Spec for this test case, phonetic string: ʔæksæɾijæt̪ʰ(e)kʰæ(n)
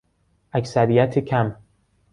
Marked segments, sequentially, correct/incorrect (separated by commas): correct, incorrect